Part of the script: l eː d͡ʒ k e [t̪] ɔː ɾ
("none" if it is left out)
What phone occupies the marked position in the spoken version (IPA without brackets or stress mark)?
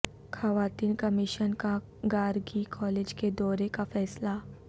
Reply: d̪